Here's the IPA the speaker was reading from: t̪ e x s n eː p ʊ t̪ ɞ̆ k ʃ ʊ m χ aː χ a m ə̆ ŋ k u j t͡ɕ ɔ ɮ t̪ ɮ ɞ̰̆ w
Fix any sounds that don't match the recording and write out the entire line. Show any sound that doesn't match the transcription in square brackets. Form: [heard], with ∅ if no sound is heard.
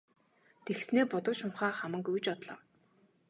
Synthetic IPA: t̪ e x s n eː p ʊ t̪ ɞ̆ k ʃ ʊ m χ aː χ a m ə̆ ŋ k u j t͡ɕ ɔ [∅] t̪ ɮ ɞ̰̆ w